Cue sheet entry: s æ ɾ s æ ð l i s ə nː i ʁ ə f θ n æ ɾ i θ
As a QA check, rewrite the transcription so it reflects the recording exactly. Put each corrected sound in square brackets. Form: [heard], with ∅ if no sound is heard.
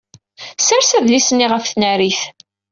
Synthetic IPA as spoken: s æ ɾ s æ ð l i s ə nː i ʁ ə f θ n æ ɾ i θ